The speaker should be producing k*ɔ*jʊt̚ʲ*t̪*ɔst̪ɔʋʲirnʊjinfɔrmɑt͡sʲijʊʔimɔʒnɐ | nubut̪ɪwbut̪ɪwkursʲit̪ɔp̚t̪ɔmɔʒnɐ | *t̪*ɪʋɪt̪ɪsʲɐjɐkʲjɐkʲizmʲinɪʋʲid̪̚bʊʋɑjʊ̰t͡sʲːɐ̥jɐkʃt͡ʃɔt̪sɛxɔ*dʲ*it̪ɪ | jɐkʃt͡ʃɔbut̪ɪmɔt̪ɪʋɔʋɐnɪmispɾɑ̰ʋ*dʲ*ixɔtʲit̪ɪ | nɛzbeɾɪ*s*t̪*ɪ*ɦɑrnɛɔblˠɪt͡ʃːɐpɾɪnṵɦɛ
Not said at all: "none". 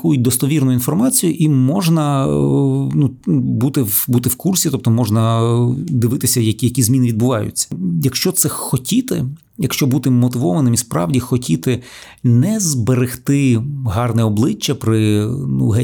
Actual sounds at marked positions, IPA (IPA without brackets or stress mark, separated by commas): u, d̪, d̪, tʲ, dʲ, x, ɪ